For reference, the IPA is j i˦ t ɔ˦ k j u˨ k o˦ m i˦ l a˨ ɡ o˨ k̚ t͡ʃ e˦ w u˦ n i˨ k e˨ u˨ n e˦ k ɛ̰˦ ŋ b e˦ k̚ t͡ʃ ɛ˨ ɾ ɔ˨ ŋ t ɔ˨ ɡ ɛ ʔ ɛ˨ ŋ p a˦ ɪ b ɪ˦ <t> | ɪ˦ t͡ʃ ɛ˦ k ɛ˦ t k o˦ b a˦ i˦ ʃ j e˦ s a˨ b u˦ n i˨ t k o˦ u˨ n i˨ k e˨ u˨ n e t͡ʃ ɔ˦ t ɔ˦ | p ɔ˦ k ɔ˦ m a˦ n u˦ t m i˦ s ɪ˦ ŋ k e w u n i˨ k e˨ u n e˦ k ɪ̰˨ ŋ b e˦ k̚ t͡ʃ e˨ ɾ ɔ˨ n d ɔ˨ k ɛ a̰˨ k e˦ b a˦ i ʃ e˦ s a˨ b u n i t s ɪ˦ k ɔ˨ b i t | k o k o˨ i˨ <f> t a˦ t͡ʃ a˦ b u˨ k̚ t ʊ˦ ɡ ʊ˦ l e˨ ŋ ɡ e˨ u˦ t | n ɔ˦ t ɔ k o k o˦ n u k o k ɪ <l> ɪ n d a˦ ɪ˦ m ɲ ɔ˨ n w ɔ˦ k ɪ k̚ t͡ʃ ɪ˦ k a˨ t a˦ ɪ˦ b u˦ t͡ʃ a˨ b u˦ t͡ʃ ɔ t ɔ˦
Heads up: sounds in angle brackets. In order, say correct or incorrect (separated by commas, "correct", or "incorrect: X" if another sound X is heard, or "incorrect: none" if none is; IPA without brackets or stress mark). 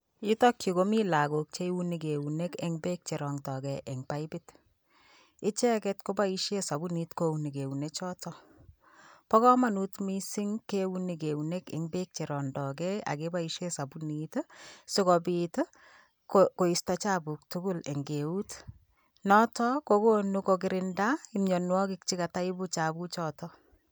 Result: correct, incorrect: s, incorrect: ɾ